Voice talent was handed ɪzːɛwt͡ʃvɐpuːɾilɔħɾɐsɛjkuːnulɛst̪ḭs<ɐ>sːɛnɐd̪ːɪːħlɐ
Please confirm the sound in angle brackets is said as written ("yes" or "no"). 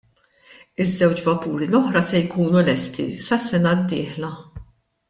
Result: yes